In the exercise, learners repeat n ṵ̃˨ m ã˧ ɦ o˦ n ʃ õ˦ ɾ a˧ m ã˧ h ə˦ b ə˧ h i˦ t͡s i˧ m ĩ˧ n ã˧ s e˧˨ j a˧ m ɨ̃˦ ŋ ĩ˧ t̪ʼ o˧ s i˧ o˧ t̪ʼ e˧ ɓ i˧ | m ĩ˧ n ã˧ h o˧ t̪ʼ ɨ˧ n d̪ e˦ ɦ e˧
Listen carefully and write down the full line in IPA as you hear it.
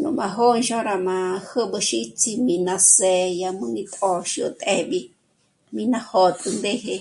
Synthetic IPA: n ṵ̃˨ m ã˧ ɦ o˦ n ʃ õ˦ ɾ a˧ m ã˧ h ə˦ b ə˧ ʃ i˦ t͡s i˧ m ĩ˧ n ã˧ s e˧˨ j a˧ m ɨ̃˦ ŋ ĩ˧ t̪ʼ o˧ ʃ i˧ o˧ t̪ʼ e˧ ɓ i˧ | m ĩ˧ n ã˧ h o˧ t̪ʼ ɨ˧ n d̪ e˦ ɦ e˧

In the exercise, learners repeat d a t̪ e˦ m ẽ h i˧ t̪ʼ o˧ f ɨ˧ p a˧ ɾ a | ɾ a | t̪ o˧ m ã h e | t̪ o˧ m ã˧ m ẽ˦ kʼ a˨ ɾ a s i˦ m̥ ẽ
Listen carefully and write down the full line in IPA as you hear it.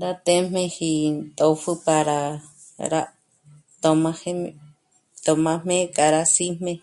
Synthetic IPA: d a t̪ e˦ m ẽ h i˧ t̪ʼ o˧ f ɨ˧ p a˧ ɾ a | ɾ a | t̪ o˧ m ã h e | t̪ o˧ m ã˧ m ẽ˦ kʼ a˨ ɾ a s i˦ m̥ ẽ

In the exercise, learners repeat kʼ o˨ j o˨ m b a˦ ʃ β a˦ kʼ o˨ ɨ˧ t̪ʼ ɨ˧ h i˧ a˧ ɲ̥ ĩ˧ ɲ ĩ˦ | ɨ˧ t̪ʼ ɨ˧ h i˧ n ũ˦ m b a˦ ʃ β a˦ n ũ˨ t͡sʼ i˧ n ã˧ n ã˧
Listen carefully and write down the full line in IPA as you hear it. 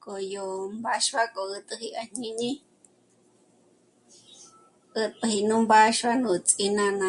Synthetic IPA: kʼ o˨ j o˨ m b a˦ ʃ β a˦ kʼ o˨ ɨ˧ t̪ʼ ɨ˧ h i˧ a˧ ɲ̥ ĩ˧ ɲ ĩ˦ | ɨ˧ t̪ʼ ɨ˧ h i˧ n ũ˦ m b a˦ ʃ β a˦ n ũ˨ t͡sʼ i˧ n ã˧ n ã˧

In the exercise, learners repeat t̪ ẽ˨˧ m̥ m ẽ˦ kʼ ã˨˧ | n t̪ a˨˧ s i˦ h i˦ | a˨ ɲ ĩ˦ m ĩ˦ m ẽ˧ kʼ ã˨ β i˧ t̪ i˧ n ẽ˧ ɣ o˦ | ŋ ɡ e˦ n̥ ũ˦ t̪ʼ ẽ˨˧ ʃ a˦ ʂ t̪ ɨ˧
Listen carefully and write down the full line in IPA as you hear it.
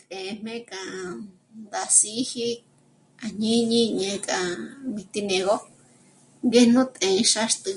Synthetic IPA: t̪ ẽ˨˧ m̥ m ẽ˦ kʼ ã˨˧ | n d̪ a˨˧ s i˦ h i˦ | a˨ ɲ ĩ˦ ɲ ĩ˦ ɲ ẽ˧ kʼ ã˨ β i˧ t̪ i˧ n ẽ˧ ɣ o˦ | ŋ ɡ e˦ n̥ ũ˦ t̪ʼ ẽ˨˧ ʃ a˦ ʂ t̪ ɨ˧

